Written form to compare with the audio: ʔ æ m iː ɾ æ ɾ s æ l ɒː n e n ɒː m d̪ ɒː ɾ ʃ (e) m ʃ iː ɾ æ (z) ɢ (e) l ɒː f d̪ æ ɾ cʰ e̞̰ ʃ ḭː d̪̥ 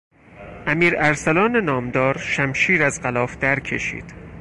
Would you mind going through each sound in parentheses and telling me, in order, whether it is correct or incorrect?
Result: incorrect: æ, correct, incorrect: æ

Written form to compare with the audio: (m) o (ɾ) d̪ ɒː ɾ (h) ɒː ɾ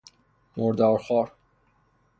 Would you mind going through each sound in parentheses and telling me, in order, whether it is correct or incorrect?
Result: correct, correct, incorrect: x

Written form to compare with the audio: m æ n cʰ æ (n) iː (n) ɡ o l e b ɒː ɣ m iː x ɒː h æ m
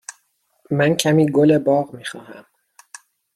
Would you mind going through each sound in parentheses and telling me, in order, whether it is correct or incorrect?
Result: incorrect: m, incorrect: none

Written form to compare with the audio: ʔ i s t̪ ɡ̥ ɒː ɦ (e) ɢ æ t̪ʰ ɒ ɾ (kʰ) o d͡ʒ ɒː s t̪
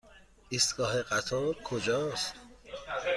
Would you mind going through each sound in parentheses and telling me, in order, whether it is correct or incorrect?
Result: correct, correct

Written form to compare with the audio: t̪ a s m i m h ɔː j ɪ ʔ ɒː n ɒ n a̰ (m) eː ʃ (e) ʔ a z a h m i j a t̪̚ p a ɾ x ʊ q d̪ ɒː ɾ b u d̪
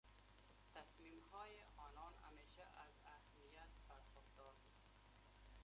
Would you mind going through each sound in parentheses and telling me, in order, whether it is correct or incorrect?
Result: correct, incorrect: a

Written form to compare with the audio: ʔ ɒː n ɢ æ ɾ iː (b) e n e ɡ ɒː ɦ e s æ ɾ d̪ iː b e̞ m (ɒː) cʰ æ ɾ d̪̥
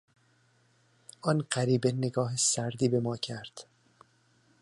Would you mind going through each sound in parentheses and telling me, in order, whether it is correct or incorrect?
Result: correct, correct

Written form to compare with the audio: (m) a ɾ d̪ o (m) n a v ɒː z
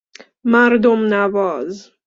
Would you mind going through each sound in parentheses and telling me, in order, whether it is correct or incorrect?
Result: correct, correct

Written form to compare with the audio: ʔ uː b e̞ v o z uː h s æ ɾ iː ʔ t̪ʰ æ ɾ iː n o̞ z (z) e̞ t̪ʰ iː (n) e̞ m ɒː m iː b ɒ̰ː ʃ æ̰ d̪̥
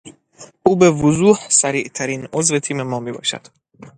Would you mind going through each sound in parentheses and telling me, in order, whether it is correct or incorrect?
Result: incorrect: v, incorrect: m

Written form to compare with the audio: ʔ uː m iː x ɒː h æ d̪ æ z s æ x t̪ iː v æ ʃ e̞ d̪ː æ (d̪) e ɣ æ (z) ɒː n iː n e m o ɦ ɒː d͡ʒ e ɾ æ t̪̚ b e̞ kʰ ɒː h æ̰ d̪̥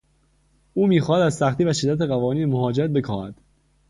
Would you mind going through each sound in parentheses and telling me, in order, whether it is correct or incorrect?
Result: incorrect: t̪, incorrect: v

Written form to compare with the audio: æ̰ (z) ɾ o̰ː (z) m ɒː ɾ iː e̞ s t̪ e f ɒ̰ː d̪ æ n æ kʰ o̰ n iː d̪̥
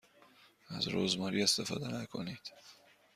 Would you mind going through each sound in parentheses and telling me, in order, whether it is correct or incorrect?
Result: correct, correct

